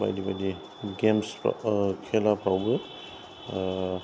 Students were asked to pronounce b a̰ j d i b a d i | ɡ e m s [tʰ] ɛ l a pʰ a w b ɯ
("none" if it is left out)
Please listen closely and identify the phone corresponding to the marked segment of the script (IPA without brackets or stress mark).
kʰ